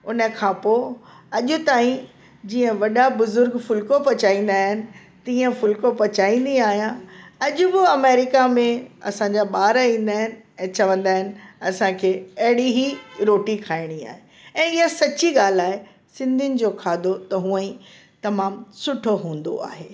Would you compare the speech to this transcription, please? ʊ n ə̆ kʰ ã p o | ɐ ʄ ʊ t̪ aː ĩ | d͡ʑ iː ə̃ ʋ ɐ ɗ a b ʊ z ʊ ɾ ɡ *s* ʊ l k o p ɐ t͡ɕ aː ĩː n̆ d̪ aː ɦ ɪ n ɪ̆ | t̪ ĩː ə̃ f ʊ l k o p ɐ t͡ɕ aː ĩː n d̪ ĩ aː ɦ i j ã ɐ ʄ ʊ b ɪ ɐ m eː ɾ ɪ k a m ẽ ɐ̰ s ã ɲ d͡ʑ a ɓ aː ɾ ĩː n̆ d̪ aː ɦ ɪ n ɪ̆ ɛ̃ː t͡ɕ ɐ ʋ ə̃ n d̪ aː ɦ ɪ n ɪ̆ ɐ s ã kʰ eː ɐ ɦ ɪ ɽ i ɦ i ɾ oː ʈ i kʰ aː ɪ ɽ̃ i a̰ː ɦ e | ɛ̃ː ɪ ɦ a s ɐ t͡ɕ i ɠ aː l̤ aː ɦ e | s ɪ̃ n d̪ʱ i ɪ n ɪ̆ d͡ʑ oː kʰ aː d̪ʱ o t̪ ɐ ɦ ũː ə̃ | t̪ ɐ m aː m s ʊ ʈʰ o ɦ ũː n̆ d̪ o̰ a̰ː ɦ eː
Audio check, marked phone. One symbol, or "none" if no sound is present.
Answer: f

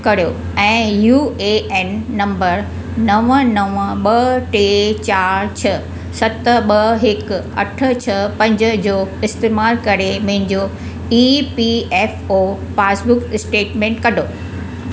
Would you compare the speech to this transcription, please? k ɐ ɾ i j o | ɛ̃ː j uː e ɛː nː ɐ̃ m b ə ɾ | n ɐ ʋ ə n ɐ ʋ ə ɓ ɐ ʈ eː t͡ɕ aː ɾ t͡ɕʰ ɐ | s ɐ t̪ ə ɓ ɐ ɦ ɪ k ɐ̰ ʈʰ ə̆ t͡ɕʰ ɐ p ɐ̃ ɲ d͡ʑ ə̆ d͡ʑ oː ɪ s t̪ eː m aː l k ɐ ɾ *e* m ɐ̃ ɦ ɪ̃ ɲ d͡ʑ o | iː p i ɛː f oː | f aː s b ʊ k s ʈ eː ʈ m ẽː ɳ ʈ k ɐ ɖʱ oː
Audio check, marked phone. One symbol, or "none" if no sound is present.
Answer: e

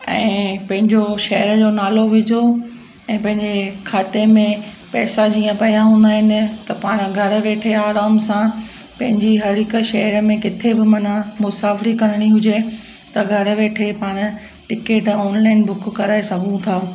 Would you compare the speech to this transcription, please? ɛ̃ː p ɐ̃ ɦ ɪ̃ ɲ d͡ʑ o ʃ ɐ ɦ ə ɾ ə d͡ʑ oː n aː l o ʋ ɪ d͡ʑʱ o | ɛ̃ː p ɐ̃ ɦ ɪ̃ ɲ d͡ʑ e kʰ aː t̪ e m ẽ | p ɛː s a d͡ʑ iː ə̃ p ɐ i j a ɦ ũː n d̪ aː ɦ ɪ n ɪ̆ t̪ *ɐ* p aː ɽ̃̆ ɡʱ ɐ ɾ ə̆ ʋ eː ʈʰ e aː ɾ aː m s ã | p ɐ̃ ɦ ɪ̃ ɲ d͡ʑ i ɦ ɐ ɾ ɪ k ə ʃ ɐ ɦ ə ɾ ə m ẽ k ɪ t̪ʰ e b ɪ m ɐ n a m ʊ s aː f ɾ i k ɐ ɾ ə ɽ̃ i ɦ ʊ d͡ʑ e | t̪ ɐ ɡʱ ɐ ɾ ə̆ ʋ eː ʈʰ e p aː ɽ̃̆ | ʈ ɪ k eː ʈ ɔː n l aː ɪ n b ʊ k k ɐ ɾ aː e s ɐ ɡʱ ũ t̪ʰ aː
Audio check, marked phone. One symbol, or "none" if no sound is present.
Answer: ɐ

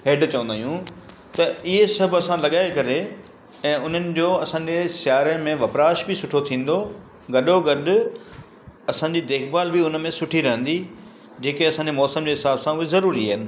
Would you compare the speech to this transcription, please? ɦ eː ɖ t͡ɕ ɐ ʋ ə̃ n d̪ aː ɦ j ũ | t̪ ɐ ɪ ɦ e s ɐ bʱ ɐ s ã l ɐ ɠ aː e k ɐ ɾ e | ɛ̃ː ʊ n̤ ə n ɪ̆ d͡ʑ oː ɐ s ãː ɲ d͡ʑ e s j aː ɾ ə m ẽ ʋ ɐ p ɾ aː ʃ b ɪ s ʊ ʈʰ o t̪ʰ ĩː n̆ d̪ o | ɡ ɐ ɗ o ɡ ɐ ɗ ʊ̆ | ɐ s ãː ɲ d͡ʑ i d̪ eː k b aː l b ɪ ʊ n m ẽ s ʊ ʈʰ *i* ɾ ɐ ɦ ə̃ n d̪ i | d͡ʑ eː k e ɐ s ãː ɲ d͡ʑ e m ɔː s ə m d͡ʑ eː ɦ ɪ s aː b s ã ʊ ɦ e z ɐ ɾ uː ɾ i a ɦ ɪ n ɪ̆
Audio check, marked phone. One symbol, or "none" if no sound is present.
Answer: i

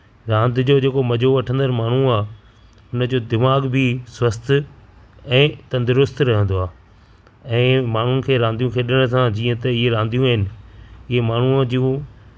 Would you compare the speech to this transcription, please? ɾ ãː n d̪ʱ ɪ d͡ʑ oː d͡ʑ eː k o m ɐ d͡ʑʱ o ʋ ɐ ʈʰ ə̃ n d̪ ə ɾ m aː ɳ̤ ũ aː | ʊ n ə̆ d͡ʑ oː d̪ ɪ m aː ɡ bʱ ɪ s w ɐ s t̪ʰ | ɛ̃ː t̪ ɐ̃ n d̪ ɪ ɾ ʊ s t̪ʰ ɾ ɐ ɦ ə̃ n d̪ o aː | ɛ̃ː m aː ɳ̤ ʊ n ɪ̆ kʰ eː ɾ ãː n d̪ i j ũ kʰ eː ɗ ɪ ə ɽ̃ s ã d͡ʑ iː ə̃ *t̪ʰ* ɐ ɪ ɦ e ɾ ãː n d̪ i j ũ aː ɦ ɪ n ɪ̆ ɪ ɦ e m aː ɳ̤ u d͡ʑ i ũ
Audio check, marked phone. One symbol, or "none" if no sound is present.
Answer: t̪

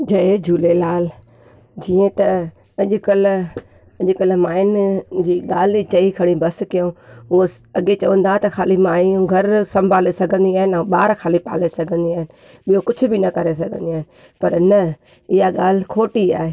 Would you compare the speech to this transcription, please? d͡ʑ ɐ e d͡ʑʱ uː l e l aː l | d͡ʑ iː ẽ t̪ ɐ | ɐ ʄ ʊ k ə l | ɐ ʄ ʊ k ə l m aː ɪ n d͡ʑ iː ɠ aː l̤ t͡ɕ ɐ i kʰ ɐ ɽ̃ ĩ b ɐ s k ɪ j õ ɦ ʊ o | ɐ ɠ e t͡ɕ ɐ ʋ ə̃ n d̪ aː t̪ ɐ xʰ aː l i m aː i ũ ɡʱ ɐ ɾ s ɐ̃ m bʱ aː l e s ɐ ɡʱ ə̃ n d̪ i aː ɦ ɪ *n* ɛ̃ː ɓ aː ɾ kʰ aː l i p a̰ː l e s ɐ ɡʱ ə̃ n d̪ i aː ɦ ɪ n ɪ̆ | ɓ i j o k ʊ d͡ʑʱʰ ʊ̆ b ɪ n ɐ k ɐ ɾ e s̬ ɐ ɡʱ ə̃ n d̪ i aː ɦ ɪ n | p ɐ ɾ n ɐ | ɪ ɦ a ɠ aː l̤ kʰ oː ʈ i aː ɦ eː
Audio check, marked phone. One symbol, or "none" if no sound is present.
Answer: n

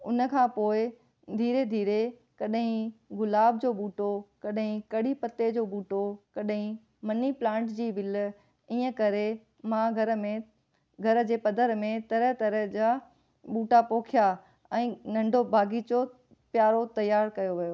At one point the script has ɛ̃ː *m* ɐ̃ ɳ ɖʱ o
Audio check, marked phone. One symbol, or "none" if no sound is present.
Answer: n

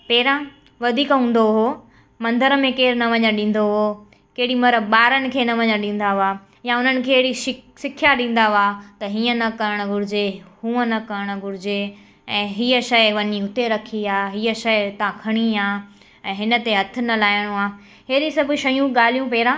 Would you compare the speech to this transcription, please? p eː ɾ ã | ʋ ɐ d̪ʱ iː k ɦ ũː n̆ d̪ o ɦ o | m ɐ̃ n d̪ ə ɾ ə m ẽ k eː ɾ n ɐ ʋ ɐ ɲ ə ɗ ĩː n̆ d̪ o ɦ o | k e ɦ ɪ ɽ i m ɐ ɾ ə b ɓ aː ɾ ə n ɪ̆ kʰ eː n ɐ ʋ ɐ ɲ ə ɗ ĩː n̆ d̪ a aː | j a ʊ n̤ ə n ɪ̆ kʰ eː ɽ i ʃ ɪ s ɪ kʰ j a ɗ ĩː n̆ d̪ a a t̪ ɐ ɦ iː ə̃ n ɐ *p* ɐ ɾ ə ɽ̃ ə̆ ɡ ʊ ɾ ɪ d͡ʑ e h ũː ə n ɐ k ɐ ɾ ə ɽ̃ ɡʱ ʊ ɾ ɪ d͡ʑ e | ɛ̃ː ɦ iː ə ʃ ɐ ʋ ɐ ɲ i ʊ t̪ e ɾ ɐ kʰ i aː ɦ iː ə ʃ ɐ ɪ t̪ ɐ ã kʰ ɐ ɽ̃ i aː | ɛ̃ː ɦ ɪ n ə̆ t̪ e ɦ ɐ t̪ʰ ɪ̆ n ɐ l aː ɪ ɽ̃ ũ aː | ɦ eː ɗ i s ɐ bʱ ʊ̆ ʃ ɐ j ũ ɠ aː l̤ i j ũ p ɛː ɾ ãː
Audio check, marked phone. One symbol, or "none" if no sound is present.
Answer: k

